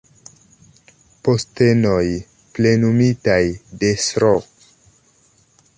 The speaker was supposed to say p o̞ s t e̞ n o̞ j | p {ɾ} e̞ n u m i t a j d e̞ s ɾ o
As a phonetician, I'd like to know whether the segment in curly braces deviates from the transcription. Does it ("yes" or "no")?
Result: yes